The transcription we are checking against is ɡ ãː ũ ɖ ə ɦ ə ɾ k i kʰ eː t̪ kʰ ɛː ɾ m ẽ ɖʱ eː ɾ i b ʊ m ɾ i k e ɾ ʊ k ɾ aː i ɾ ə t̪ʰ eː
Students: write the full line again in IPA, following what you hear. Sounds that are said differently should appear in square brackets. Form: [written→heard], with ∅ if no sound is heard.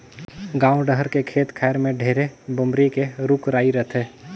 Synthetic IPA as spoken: ɡ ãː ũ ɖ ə ɦ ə ɾ k [i→e] kʰ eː t̪ kʰ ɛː ɾ m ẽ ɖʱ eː ɾ [i→e] b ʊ m ɾ i k e ɾ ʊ k ɾ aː i ɾ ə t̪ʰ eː